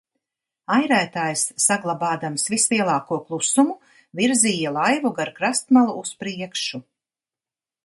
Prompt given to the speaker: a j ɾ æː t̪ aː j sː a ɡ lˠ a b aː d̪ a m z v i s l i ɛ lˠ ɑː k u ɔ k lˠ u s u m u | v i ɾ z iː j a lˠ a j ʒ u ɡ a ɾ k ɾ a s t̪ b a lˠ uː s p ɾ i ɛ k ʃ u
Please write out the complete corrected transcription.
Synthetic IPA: a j ɾ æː t̪ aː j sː a ɡ lˠ a b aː d̪ a m s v i s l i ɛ lˠ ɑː k u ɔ k lˠ u s u m u | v i ɾ z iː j a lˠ a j v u ɡ a ɾ k ɾ a s t̪ m a lˠ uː s p ɾ i ɛ k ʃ u